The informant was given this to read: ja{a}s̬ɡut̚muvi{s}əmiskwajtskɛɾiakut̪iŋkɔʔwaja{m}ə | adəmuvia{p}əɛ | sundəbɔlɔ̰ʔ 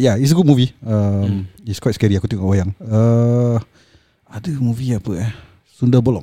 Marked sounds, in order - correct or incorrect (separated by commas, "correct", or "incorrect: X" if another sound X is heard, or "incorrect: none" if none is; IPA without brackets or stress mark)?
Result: incorrect: i, incorrect: none, incorrect: ŋ, correct